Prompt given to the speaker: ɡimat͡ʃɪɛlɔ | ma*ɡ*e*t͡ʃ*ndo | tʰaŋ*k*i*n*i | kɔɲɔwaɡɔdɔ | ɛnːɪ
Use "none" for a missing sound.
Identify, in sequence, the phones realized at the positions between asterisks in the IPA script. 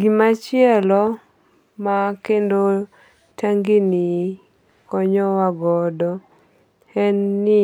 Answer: k, none, ɡ, n

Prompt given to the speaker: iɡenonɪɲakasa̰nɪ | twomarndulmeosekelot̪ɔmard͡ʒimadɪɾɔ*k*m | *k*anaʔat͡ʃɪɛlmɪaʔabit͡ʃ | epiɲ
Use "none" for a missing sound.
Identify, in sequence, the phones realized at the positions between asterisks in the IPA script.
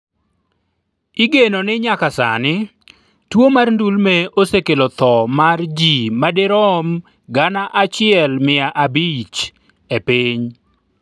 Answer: none, ɡ

